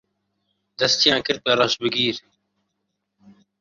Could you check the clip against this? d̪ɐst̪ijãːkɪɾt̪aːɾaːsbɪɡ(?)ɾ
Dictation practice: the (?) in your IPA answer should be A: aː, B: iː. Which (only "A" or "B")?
B